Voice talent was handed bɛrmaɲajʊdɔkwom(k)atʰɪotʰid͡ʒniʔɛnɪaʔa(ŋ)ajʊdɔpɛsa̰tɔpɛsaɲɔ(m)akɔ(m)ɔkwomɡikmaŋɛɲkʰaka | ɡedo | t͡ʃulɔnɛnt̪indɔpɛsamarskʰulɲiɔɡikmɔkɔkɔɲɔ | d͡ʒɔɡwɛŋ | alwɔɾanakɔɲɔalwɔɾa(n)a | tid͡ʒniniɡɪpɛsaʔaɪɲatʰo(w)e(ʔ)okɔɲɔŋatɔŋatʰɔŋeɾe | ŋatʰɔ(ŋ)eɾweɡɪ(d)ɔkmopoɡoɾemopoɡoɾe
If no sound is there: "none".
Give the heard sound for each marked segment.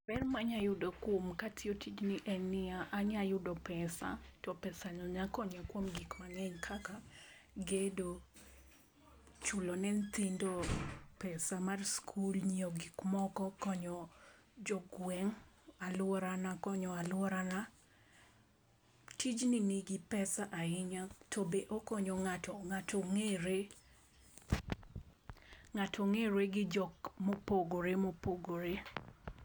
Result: k, ɲ, ɲ, ɲ, n, b, ʔ, ŋ, d͡ʒ

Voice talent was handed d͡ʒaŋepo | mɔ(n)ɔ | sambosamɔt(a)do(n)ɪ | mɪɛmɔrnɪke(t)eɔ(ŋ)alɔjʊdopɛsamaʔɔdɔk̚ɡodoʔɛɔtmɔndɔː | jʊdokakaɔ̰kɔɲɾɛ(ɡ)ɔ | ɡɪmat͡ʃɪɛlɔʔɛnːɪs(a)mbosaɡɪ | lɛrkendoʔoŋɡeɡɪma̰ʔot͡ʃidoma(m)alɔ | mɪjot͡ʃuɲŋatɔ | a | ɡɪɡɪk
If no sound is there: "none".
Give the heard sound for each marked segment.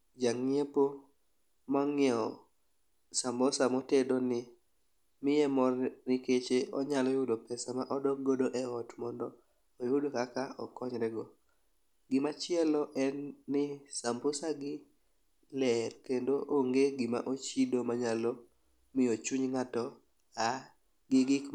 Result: ŋ, e, n, t͡ʃ, ɲ, ɡ, a, ɲ

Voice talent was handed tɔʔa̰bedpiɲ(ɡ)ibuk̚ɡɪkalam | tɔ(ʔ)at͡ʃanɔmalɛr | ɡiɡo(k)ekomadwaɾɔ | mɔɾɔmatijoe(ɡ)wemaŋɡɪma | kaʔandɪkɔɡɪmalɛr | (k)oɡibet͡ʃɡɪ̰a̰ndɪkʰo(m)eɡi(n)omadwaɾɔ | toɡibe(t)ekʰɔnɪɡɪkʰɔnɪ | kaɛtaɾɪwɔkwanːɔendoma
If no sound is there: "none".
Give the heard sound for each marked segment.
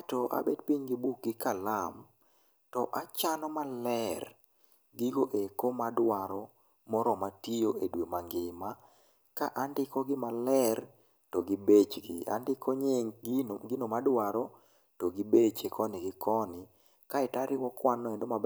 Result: ɡ, ʔ, ʔ, d, t, ɲ, n, t͡ʃ

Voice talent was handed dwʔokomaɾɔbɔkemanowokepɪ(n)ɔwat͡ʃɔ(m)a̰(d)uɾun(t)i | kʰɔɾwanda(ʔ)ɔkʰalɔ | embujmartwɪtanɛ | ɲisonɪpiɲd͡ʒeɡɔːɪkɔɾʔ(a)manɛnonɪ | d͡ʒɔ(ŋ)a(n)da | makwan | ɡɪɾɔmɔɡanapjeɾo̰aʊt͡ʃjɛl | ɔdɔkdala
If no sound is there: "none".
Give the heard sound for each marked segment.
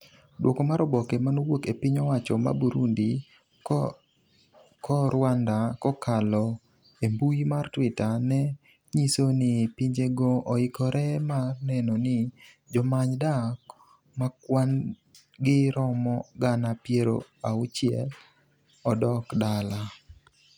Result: ɲ, m, b, d, k, ɛ, m, ɲ

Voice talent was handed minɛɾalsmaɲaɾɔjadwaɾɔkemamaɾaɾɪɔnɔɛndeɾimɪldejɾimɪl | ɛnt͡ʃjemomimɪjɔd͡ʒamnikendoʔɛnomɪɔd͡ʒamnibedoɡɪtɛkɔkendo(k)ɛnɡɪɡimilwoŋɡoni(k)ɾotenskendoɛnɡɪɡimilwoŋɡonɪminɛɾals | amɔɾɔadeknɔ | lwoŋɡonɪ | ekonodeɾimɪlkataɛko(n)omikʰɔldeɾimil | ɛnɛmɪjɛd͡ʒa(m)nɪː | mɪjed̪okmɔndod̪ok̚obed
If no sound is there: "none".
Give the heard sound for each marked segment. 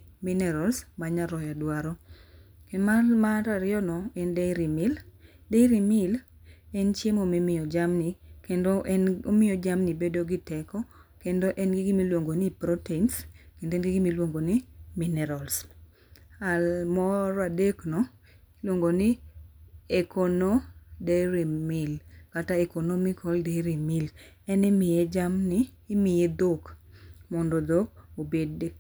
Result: ʔ, p, n, m

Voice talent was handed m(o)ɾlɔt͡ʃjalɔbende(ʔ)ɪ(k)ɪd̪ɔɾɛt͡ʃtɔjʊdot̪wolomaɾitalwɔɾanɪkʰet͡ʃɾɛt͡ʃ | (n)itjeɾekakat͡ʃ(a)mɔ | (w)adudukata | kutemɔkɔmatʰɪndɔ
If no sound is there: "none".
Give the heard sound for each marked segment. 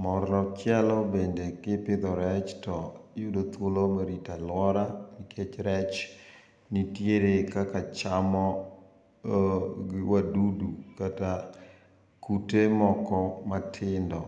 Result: ɔ, k, p, n, a, w

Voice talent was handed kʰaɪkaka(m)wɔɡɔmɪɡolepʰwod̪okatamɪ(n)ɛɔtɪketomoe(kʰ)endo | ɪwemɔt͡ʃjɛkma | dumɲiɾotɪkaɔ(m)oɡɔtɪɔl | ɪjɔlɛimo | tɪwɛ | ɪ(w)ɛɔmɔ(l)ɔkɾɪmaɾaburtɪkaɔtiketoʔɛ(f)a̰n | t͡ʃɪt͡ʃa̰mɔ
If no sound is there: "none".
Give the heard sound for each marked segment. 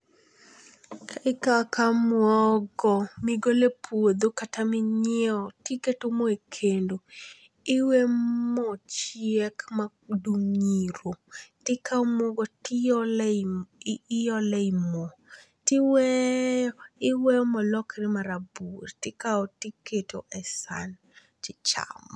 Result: m, ɲ, kʰ, m, w, l, s

